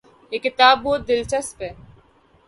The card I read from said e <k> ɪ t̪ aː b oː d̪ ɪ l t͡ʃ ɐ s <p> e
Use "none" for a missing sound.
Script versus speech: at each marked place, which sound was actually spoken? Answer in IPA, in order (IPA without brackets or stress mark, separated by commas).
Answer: k, p